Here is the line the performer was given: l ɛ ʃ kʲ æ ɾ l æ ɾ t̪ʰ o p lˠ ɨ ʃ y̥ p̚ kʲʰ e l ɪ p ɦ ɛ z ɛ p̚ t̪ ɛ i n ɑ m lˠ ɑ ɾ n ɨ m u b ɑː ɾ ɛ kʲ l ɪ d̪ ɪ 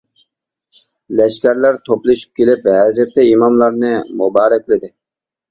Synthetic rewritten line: l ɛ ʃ kʲ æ ɾ l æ ɾ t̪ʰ o p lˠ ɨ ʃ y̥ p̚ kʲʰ e l ɪ p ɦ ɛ z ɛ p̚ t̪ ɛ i m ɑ m lˠ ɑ ɾ n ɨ m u b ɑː ɾ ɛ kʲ l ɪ d̪ ɪ